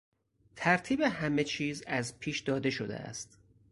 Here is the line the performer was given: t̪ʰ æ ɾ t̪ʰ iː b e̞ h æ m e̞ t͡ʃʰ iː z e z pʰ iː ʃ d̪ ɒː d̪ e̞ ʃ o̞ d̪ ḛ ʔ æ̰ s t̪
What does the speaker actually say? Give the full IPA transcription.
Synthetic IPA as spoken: t̪ʰ æ ɾ t̪ʰ iː b e̞ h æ m e̞ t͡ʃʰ iː z æ z pʰ iː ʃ d̪ ɒː d̪ e̞ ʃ o̞ d̪ ḛ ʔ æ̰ s t̪